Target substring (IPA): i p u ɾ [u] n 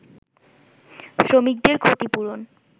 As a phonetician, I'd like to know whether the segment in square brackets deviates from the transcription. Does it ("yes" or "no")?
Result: yes